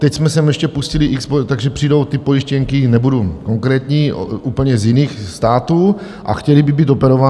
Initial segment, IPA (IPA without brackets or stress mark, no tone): t̪